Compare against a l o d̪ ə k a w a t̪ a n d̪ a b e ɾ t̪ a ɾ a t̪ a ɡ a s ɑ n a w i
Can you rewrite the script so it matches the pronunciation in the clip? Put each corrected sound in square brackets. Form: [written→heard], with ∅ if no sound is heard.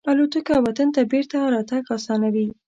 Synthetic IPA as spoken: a l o [d̪→t̪] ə k a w a t̪ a n [d̪→t̪] a b e ɾ t̪ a ɾ [a→ɑ] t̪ a ɡ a s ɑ n a w i